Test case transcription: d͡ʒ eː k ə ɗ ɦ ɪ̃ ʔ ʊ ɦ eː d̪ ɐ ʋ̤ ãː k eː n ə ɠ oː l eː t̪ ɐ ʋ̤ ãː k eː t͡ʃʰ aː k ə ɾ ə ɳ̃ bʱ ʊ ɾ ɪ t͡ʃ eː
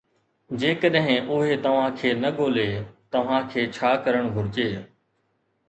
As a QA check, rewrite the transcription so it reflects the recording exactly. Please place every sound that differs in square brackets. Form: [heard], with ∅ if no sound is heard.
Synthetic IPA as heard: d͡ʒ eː k ə ɗ ɦ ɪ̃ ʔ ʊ ɦ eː [t̪] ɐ ʋ̤ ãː [kʰ] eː n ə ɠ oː l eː t̪ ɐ ʋ̤ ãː [kʰ] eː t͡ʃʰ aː k ə ɾ ə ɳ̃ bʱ ʊ ɾ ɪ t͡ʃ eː